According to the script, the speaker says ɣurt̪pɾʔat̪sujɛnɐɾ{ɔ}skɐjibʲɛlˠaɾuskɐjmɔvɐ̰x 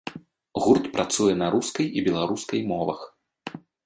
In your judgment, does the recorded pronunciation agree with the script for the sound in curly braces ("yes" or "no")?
no